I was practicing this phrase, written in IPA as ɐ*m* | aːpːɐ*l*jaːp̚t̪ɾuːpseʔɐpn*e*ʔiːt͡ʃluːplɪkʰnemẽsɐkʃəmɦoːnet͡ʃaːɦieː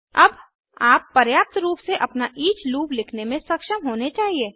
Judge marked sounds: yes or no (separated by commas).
no, no, no